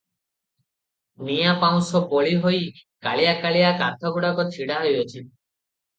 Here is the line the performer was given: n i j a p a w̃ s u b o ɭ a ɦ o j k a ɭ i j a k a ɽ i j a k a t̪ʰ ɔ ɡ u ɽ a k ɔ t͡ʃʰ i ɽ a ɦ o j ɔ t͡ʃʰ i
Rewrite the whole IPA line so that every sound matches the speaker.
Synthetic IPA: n i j a p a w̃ s ɔ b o ɭ i ɦ o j k a ɭ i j a k a ɭ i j a k a t̪ʰ ɔ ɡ u ɽ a k ɔ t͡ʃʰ i ɽ a ɦ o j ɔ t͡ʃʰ i